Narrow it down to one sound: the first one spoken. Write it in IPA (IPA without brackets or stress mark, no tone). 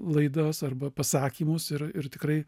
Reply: lˠ